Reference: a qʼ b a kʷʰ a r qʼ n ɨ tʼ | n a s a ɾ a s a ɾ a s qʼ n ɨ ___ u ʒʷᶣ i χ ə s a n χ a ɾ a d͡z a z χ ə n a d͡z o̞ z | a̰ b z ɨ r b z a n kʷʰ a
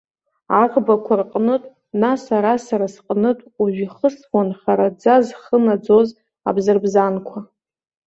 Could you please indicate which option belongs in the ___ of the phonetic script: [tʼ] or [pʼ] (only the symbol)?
tʼ